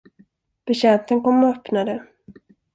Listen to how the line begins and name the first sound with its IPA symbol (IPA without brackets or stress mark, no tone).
b̥